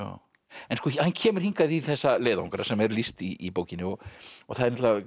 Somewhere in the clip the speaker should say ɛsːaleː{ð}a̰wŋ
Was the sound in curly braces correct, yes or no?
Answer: yes